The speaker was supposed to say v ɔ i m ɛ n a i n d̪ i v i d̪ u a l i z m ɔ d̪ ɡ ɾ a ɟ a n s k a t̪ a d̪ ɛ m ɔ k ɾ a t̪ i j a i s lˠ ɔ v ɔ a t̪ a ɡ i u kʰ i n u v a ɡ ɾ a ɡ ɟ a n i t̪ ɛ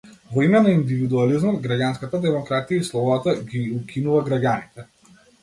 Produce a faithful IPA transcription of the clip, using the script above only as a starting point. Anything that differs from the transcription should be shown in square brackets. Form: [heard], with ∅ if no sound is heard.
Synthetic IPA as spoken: v ɔ i m ɛ n a i n d̪ i v i d̪ u a l i z m ɔ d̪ ɡ ɾ a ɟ a n s k a t̪ a d̪ ɛ m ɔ k ɾ a t̪ i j a i s lˠ ɔ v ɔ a t̪ a ɡ i u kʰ i n u v a ɡ ɾ a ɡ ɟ a n i t̪ ɛ